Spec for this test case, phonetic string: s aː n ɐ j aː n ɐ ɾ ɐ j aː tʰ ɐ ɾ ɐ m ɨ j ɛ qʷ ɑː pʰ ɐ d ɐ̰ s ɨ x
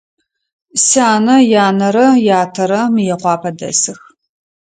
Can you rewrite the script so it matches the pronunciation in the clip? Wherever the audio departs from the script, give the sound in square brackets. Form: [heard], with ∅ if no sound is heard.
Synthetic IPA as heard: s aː n ɐ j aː n ɐ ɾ ɐ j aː tʰ ɐ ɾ ɐ m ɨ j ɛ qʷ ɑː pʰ ɐ d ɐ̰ s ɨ x